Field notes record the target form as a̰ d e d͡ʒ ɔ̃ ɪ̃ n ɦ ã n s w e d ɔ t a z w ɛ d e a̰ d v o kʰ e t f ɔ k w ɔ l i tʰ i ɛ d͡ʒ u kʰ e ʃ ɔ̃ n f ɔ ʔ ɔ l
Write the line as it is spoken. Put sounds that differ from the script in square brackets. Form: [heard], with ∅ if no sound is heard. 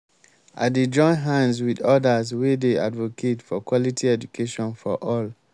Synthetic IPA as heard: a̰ d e d͡ʒ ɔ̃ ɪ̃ n ɦ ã n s w [i] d ɔ [d] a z w [e] d e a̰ d v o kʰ e t f ɔ k w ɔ l i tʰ i ɛ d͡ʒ u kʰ e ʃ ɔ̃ n f ɔ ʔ ɔ l